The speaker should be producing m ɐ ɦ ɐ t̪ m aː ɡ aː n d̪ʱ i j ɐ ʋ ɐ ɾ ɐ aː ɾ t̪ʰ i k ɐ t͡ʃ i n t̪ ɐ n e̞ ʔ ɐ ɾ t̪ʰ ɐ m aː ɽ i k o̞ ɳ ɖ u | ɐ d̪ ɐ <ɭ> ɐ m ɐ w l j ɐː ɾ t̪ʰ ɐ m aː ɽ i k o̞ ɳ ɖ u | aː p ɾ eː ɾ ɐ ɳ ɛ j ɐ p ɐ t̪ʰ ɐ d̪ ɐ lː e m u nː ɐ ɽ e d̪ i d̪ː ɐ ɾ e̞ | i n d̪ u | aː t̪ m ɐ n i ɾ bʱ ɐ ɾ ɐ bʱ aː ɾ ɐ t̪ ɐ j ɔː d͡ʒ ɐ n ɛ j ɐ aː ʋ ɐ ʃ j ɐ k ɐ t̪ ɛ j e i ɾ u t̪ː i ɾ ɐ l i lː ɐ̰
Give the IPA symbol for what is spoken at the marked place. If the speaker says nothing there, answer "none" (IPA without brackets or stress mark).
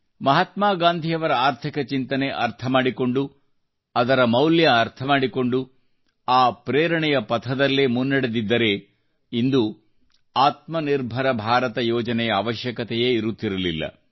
ɾ